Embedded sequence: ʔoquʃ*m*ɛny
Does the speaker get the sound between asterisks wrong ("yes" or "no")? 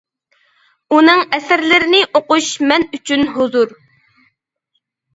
no